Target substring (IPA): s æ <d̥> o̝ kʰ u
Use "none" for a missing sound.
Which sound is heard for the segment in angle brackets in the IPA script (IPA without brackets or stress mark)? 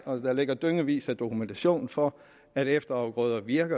d̥